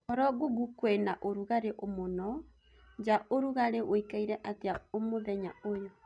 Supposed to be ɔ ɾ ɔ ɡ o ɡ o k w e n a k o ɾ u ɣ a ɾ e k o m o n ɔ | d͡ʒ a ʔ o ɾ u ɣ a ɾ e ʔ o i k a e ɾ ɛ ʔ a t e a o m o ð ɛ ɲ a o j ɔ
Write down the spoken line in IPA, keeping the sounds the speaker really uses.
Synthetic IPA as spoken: ɔ ɾ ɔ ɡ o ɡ u k w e n a ʔ o ɾ u ɣ a ɾ e ʔ o m o n ɔ | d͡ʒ a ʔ o ɾ u ɣ a ɾ e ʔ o i k a i ɾ ɛ ʔ a t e a o m o ð ɛ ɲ a o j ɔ